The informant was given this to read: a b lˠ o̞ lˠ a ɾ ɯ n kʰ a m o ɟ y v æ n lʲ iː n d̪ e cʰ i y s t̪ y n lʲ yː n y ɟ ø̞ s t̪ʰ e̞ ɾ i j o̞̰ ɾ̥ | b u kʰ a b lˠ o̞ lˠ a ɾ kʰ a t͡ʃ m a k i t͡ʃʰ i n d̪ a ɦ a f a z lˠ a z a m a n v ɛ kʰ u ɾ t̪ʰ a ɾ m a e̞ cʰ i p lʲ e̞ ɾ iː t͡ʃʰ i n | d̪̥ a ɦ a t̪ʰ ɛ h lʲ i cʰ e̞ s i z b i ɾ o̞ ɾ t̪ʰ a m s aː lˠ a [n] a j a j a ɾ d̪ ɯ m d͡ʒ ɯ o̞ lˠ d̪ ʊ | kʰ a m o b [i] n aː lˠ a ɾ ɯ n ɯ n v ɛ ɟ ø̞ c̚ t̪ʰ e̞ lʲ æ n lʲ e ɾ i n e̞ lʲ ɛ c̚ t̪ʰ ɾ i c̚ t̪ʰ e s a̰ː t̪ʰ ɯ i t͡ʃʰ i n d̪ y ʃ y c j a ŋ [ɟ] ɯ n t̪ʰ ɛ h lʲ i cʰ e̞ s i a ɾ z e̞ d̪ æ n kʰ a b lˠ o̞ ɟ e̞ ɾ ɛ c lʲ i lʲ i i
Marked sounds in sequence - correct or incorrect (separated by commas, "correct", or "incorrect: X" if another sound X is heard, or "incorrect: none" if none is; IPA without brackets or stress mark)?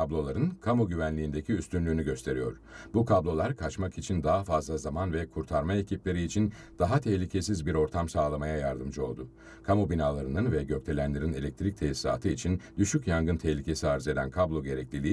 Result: incorrect: m, correct, incorrect: ɡ